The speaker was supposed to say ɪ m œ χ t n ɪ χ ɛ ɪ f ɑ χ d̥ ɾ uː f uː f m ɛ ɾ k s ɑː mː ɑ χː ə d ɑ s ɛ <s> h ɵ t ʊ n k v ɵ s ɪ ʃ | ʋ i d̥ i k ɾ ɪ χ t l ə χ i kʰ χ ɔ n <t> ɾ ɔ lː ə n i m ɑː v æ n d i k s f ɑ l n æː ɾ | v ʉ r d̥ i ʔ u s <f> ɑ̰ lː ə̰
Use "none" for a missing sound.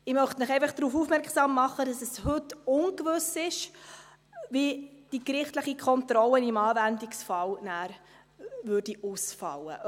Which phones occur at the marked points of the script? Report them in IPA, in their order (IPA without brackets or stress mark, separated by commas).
s, t, f